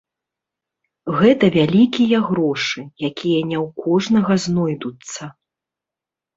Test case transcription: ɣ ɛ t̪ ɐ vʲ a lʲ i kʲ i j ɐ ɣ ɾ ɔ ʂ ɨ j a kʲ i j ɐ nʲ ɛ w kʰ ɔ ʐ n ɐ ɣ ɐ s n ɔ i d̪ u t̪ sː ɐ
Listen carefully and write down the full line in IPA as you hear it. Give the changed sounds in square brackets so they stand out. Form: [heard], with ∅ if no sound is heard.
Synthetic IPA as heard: ɣ ɛ t̪ ɐ vʲ a lʲ i kʲ i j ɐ ɣ ɾ ɔ ʂ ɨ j a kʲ i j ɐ nʲ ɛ w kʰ ɔ ʐ n ɐ ɣ ɐ [z] n ɔ [j] d̪ u t̪ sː ɐ

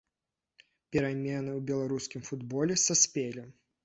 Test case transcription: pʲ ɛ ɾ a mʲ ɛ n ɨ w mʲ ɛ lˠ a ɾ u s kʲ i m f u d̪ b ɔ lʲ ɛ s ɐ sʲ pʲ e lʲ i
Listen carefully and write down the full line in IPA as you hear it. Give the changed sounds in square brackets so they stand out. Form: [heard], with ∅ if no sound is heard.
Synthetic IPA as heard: pʲ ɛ ɾ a mʲ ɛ n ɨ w [bʲ] ɛ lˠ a ɾ u s kʲ i m f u d̪ b ɔ lʲ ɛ s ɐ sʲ pʲ e lʲ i

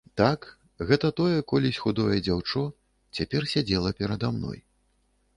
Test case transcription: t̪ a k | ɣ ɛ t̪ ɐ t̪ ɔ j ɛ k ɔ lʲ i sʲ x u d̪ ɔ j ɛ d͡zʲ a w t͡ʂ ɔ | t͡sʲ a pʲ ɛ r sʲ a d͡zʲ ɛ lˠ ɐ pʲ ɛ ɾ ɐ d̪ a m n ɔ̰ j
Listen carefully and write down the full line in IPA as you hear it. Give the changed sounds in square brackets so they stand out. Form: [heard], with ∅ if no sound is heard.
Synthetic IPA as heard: t̪ a k | ɣ ɛ t̪ ɐ t̪ ɔ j ɛ k ɔ lʲ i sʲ x u d̪ ɔ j ɛ d͡zʲ a w t͡ʂ ɔ | t͡sʲ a pʲ ɛ r sʲ a d͡zʲ ɛ lˠ ɐ pʲ ɛ ɾ ɐ d̪ a m n ɔ̰ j

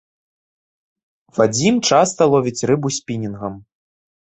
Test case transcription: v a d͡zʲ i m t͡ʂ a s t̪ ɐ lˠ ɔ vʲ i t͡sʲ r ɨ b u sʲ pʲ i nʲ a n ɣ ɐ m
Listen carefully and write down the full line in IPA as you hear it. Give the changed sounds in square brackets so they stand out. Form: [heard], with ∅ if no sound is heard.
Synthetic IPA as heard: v a d͡zʲ i m t͡ʂ a s t̪ ɐ lˠ ɔ vʲ i t͡sʲ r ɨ b u sʲ pʲ i nʲ [i] n ɣ ɐ m

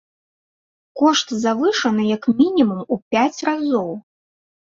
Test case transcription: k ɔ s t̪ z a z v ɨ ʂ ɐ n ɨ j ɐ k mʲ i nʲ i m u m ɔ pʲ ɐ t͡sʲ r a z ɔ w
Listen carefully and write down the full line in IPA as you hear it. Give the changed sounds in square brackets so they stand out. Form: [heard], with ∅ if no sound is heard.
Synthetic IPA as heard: k ɔ [ʂ] t̪ z a [∅] v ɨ ʂ ɐ n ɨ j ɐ k mʲ i nʲ i m u m [u] pʲ [a] t͡sʲ r a z ɔ w

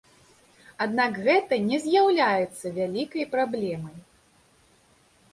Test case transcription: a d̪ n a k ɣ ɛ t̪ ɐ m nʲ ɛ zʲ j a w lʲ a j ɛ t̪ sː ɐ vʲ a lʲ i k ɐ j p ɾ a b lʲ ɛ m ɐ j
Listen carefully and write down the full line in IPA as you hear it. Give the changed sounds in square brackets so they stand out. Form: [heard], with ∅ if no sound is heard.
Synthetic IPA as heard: a d̪ n a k ɣ ɛ t̪ ɐ [∅] nʲ ɛ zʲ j a w lʲ a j ɛ t̪ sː ɐ vʲ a lʲ i k ɐ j p ɾ a b lʲ ɛ m ɐ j

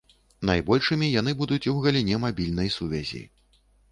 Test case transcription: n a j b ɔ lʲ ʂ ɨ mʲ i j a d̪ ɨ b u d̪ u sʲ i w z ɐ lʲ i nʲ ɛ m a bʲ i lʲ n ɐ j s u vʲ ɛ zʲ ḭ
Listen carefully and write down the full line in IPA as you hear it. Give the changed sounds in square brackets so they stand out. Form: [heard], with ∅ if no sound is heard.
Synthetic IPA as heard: n a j b ɔ lʲ ʂ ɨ mʲ i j a [n̪] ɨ b u d̪ u [t͡sʲ] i w [ɣ] ɐ lʲ i nʲ ɛ m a bʲ i lʲ n ɐ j s u vʲ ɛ zʲ ḭ

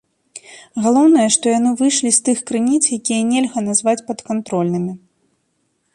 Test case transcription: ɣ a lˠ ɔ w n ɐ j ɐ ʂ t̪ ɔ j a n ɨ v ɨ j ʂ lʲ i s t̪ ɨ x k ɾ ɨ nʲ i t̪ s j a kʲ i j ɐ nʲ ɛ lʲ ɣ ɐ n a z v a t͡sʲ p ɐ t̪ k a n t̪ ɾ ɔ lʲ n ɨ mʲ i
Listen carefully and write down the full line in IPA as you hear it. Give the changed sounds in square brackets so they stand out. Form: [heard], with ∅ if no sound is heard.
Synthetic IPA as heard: ɣ a lˠ ɔ w n ɐ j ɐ ʂ t̪ ɔ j a n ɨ v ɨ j ʂ lʲ i s t̪ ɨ x k ɾ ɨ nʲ i t̪ s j a kʲ i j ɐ nʲ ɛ lʲ ɣ ɐ n a z v a t͡sʲ p ɐ t̪ k a n t̪ ɾ ɔ lʲ n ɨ mʲ i

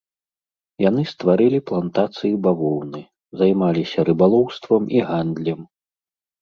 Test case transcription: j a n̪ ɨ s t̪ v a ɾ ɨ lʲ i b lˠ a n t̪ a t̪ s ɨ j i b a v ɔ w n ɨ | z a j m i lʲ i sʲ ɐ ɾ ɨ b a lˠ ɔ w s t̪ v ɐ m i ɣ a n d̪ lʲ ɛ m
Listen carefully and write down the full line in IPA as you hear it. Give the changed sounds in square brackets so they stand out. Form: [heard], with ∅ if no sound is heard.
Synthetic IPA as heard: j a n̪ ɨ s t̪ v a ɾ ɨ lʲ i [p] lˠ a n t̪ a t̪ s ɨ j i b a v ɔ w n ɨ | z a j m [a] lʲ i sʲ ɐ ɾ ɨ b a lˠ ɔ w s t̪ v ɐ m i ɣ a n d̪ lʲ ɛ m

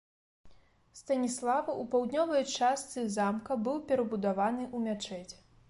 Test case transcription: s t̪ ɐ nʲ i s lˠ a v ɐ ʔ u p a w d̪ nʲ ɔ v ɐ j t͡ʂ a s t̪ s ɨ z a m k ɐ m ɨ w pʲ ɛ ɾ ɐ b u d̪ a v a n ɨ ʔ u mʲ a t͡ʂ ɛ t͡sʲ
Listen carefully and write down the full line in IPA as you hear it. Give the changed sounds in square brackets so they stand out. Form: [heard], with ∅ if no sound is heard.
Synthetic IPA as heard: s t̪ ɐ nʲ i s lˠ a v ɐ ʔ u p a w d̪ nʲ ɔ v ɐ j t͡ʂ a s t̪ s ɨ z a m k ɐ [b] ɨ w pʲ ɛ ɾ ɐ b u d̪ a v a n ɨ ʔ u mʲ a t͡ʂ ɛ t͡sʲ

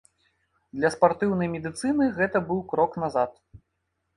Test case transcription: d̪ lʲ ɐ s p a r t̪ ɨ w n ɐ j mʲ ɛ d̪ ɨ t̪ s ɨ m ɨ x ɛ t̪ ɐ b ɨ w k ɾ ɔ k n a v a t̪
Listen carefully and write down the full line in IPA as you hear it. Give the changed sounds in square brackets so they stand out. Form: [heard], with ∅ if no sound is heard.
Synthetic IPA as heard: d̪ lʲ ɐ s p a r t̪ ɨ w n ɐ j mʲ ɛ d̪ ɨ t̪ s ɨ [n] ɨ [ɣ] ɛ t̪ ɐ b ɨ w k ɾ ɔ k n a [z] a t̪

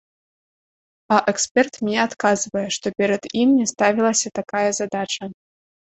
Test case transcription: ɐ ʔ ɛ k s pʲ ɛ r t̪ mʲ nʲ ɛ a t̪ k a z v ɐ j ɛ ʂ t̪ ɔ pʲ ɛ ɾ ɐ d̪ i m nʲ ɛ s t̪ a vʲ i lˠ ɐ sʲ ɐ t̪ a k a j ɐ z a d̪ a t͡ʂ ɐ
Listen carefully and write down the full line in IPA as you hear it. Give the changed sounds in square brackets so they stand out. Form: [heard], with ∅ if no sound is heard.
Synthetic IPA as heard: ɐ ʔ ɛ k s pʲ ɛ r t̪ mʲ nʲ ɛ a t̪ k a z v ɐ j ɛ ʂ t̪ ɔ pʲ ɛ ɾ ɐ d̪ i m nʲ ɛ s t̪ a vʲ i lˠ ɐ sʲ ɐ t̪ a k a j ɐ z a d̪ a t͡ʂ ɐ

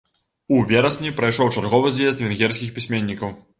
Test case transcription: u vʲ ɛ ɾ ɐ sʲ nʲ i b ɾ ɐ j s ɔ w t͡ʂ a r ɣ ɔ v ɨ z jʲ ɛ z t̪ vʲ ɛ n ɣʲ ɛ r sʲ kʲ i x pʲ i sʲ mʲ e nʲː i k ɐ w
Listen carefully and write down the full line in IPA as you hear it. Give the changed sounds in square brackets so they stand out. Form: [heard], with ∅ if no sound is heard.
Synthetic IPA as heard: u vʲ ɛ ɾ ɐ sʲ nʲ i [p] ɾ ɐ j [ʂ] ɔ w t͡ʂ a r ɣ ɔ v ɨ z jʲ ɛ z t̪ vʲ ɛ n ɣʲ ɛ r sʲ kʲ i x pʲ i sʲ mʲ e nʲː i k ɐ w

